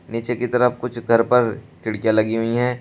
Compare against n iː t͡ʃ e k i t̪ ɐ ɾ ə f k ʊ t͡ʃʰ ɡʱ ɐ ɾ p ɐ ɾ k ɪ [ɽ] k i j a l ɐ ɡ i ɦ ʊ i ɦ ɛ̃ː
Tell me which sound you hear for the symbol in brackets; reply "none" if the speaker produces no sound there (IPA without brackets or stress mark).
ɽ